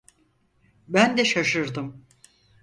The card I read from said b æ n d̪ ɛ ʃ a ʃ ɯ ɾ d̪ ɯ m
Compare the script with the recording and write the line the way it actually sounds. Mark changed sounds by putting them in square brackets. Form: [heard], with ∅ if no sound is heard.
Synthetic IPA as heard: b æ n d̪ ɛ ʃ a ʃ ɯ ɾ d̪ ɯ m